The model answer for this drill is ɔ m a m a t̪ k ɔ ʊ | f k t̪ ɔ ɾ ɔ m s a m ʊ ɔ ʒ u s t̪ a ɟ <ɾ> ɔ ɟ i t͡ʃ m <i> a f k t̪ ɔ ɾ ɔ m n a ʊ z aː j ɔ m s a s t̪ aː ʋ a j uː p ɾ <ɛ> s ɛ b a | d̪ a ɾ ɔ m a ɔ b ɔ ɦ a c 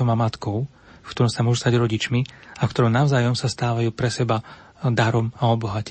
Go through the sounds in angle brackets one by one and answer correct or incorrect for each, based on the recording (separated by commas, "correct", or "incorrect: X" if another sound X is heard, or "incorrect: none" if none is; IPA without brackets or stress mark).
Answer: correct, correct, correct